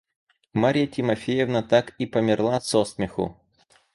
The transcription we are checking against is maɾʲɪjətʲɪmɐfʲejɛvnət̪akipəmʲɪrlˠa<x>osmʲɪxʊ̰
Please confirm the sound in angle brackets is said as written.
no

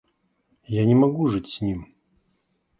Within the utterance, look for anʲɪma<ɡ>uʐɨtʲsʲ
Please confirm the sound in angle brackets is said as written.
yes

